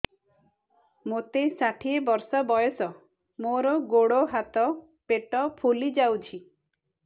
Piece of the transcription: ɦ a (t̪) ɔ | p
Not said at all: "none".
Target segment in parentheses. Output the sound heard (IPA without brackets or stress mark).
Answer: t̪